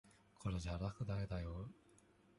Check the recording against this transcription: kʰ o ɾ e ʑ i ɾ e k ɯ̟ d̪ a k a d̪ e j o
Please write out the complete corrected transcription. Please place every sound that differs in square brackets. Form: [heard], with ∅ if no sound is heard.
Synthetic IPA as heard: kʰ o ɾ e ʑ [a] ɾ [a] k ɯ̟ d̪ a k [e] d̪ [a] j o